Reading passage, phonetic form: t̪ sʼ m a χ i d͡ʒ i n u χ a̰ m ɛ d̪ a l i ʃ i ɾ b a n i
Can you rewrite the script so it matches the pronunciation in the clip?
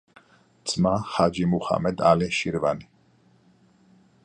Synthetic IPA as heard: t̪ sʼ m a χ a d͡ʒ i m u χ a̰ m ɛ d̪ a l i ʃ i ɾ v a n i